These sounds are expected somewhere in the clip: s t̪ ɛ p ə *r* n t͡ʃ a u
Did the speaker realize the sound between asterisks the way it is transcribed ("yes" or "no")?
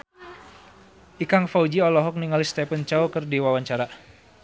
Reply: no